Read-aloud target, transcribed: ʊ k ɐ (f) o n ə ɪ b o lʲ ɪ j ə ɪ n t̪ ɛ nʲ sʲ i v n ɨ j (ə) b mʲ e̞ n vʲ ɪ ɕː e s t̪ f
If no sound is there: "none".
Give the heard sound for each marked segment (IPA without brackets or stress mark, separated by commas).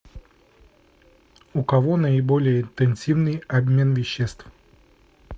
v, ɐ